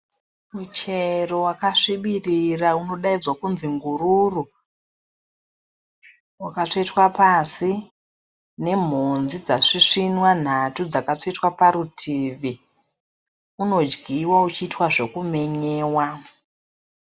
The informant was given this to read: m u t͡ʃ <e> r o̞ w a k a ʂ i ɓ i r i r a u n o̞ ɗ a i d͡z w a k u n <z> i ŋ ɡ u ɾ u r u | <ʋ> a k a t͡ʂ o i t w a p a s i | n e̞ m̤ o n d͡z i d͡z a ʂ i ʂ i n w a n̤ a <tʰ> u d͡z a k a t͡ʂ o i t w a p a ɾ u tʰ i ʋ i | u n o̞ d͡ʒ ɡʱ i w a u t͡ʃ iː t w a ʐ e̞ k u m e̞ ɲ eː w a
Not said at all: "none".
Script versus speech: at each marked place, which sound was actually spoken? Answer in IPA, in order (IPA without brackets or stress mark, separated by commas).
e, z, w, t